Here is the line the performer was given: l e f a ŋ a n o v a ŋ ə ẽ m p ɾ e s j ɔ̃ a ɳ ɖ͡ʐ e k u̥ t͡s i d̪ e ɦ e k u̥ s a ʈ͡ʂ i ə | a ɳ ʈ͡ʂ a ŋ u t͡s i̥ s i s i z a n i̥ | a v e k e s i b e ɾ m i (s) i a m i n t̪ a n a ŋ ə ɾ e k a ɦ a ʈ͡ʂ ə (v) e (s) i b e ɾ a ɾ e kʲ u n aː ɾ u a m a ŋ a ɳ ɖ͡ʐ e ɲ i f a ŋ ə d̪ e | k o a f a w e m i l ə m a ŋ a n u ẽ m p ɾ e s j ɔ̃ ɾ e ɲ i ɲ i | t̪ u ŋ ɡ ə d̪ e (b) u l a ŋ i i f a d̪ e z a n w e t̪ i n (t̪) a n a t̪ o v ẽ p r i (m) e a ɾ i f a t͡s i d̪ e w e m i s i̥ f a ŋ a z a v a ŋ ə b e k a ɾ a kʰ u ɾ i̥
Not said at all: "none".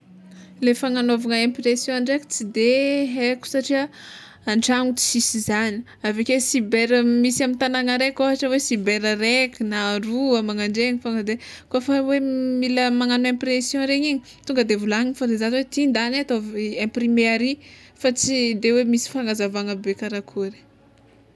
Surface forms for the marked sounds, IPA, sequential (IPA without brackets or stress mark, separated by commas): s, w, s, v, d̪, m